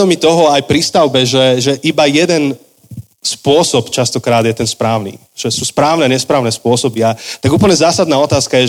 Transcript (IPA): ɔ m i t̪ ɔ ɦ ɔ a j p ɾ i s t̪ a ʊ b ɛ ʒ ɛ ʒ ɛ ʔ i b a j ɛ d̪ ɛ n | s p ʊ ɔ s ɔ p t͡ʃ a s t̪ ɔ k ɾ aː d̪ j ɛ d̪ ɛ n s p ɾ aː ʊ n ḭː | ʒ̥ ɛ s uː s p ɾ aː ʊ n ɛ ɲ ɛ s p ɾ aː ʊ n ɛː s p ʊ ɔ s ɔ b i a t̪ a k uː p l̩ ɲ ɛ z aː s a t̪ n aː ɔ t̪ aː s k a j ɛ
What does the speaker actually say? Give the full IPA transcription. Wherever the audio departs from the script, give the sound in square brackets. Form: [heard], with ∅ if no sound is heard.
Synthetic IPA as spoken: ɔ m i t̪ ɔ ɦ ɔ a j p ɾ i s t̪ a ʊ b ɛ ʒ ɛ ʒ ɛ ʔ i b a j ɛ d̪ ɛ n | s p ʊ ɔ s ɔ p t͡ʃ a s t̪ ɔ k ɾ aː d̪ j ɛ [t̪] ɛ n s p ɾ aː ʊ n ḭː | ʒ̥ ɛ s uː s p ɾ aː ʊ n ɛ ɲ ɛ s p ɾ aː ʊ n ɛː s p ʊ ɔ s ɔ b i a t̪ a [ɡ] uː p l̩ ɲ ɛ z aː s a [d̪] n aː ɔ t̪ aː s k a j ɛ